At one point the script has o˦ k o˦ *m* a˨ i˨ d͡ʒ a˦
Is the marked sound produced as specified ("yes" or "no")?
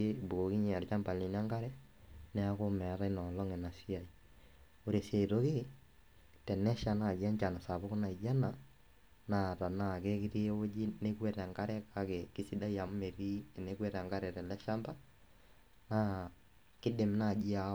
no